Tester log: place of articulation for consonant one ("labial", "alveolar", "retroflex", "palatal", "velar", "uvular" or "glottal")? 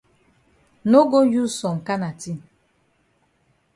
alveolar